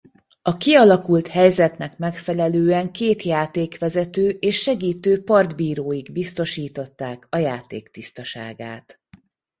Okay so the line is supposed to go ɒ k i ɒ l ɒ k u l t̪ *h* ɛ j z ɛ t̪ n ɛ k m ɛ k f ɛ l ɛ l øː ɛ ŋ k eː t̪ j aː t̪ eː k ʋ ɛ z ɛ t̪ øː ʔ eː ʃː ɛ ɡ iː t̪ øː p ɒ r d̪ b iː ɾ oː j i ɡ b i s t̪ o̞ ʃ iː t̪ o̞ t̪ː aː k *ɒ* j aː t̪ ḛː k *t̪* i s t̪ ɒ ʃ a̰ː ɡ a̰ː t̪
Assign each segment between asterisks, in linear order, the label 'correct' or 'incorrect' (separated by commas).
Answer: correct, correct, correct